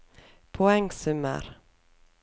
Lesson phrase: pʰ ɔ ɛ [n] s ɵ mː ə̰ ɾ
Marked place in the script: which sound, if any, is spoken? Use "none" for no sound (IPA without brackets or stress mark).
ŋ